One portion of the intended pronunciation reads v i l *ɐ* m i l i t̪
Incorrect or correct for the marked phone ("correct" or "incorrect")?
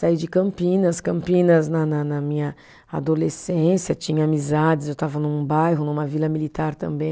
correct